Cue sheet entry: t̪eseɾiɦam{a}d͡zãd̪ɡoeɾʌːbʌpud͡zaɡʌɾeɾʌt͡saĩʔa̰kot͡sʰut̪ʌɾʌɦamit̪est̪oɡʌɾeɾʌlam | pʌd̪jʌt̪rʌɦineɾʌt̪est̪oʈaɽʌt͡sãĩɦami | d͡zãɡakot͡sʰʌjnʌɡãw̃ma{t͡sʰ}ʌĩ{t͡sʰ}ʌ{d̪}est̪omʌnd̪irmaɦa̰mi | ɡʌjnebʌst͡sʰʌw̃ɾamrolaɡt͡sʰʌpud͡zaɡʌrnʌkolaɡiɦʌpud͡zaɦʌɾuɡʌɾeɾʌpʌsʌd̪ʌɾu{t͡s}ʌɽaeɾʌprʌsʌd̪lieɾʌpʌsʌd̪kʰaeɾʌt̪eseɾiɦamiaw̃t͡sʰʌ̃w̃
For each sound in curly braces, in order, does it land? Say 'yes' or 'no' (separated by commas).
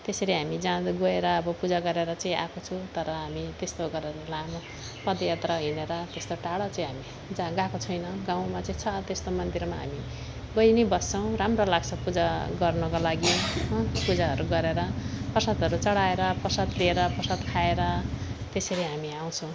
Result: no, no, yes, no, yes